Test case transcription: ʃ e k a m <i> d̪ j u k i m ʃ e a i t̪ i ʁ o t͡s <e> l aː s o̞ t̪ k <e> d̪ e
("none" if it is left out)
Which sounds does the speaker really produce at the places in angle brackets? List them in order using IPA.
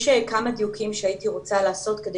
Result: a, a, e

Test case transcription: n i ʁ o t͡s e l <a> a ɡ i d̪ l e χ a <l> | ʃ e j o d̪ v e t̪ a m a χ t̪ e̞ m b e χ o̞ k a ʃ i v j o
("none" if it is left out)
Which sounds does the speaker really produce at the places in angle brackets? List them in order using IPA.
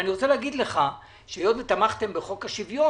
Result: e, none

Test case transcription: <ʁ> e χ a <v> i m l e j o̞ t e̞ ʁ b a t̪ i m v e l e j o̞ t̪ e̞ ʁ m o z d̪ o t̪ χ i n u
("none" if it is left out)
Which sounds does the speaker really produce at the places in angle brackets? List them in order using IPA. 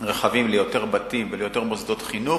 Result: ʁ, v

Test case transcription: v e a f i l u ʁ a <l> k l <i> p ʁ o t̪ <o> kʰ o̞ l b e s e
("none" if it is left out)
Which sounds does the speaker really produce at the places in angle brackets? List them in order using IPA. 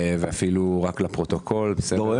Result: none, a, o

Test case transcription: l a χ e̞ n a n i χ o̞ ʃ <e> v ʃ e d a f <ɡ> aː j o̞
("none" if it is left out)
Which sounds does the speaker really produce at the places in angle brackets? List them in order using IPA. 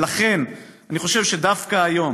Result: e, k

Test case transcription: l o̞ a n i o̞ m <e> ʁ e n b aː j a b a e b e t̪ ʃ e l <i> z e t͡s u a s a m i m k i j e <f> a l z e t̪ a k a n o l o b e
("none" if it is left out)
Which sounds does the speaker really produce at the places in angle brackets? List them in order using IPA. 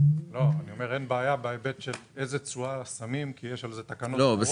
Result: e, e, ʃ

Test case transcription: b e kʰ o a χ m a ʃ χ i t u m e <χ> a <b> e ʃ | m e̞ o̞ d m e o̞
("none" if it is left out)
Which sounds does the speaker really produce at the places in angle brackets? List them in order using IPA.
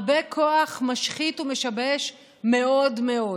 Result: ʃ, b

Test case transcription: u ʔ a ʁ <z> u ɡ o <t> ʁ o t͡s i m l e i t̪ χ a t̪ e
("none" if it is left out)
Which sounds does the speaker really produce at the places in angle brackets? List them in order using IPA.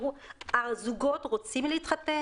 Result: z, t

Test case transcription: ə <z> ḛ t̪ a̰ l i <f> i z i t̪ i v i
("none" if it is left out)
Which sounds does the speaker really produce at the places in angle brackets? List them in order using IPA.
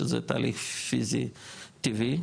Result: z, f

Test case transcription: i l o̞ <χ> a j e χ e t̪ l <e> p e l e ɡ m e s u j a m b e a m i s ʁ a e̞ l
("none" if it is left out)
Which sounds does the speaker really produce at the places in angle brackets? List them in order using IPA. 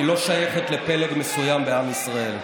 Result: ʃ, e

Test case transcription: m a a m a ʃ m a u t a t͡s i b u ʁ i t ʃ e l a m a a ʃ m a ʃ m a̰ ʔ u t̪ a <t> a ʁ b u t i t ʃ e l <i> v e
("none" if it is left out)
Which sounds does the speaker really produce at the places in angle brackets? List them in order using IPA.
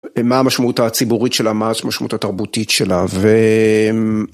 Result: t, a

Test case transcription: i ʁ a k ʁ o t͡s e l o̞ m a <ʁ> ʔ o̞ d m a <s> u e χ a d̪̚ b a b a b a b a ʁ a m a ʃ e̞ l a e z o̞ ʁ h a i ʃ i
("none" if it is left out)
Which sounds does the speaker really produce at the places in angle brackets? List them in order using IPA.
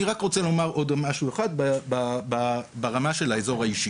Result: ʁ, ʃ

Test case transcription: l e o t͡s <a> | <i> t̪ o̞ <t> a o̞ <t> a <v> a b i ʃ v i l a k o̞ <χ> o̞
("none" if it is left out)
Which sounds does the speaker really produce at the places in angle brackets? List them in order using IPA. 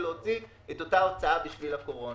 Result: i, e, t, t͡s, none, ʁ

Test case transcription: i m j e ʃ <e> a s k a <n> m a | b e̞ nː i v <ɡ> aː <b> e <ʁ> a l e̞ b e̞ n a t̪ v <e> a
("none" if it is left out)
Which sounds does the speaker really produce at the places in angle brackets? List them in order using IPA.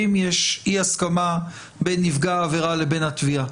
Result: i, none, ɡ, v, ʁ, i

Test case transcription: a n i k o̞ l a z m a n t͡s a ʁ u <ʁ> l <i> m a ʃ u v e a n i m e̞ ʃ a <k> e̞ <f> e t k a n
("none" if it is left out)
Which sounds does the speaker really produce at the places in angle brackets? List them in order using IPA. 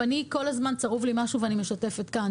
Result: v, i, t, f

